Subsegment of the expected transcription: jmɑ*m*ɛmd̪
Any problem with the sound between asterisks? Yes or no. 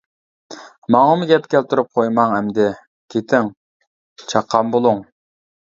yes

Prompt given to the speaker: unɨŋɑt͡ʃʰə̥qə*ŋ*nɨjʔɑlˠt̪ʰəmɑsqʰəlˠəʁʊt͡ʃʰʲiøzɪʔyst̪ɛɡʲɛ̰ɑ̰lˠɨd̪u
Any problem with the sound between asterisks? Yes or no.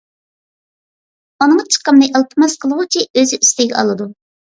yes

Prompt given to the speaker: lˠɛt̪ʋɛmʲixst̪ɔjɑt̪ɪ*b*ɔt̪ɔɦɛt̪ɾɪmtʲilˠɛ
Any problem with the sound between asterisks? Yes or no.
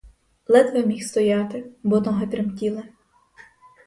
no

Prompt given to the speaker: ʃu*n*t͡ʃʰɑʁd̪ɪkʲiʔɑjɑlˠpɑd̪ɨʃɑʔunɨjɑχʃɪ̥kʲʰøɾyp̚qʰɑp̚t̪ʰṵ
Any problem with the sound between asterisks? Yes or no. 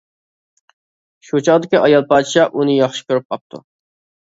yes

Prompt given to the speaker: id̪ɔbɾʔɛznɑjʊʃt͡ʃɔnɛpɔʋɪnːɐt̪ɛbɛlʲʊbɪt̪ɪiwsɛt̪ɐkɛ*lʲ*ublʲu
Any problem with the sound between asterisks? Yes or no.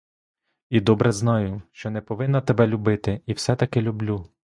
no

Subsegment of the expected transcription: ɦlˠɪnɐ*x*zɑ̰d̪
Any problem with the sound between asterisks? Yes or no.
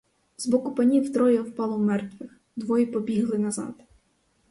yes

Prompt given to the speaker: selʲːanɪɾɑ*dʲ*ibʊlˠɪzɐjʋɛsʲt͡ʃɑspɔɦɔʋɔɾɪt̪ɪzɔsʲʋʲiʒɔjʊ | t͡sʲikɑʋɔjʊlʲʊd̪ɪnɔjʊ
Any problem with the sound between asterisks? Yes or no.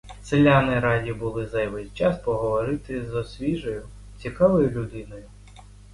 no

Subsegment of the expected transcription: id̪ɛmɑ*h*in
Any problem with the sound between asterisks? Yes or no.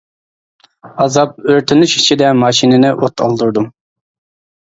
yes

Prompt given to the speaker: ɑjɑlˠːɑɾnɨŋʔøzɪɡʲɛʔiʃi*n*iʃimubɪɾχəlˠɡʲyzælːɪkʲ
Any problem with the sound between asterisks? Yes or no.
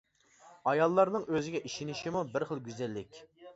no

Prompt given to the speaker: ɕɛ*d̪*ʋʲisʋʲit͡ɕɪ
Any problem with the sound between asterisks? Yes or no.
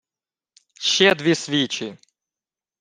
no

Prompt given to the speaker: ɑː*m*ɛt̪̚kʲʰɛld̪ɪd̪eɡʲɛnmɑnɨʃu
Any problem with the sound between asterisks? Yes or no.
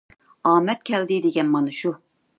no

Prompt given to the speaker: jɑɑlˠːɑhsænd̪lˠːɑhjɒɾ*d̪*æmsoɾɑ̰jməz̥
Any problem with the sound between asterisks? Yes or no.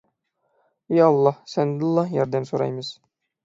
no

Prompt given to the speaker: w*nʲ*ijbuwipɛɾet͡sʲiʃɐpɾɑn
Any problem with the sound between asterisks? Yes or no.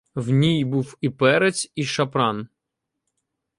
no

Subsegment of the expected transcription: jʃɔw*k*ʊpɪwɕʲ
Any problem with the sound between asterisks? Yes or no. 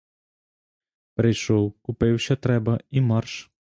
no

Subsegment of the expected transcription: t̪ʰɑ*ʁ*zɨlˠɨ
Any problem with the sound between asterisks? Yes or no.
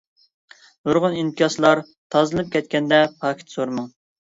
yes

